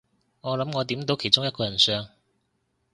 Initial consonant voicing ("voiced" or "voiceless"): voiced